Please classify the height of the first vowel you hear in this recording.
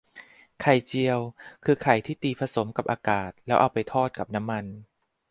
low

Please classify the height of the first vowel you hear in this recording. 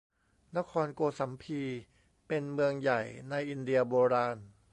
low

